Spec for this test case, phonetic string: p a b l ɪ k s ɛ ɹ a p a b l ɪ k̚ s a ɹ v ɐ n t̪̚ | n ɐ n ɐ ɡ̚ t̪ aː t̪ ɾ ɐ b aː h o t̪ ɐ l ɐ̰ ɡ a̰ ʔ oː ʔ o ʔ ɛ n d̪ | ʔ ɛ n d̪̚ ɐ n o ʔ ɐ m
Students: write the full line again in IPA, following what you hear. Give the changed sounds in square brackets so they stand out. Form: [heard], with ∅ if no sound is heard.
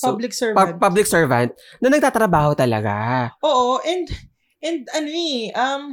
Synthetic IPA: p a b l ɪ k s ɛ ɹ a p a b l ɪ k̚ s [ɛ] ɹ v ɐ n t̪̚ | n ɐ n ɐ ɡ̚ t̪ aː t̪ ɾ ɐ b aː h o t̪ ɐ l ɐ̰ ɡ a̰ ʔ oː ʔ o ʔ ɛ n d̪ | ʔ ɛ n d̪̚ ɐ n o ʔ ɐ m